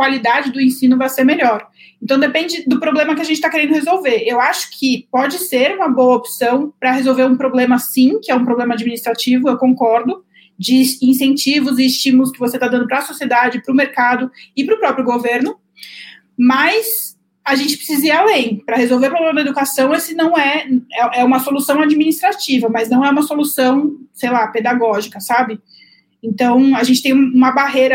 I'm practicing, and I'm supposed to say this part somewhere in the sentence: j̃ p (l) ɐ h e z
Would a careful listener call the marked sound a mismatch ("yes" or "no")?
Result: yes